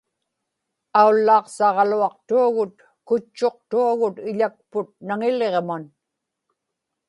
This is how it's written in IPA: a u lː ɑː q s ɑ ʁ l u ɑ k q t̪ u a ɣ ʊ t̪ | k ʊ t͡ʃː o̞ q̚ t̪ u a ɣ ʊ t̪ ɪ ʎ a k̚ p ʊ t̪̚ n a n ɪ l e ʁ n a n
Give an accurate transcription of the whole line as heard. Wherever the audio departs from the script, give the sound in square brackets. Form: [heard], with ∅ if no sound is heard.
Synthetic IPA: a u lː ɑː q s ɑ ʁ l u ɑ [∅] q t̪ u a ɣ ʊ t̪ | k ʊ t͡ʃː o̞ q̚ t̪ u a ɣ ʊ t̪ ɪ ʎ a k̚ p ʊ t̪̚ n a [ŋ] ɪ l e ʁ [m] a n